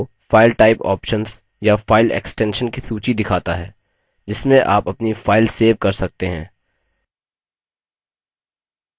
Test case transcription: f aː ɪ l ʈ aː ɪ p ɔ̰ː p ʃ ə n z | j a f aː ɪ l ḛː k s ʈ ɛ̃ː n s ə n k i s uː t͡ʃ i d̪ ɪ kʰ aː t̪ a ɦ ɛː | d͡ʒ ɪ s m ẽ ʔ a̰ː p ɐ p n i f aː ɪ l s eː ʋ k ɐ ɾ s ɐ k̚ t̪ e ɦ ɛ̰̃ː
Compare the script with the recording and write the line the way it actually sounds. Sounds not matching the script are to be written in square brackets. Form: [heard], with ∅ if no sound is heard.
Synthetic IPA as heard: f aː ɪ l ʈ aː ɪ p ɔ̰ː p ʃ ə n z | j a f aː ɪ l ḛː k s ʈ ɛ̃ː n [ʃ] ə n k i s uː t͡ʃ i d̪ ɪ kʰ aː t̪ a ɦ ɛː | d͡ʒ ɪ s m ẽ ʔ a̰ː p ɐ p n i f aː ɪ l s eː ʋ k ɐ ɾ s ɐ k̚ t̪ e ɦ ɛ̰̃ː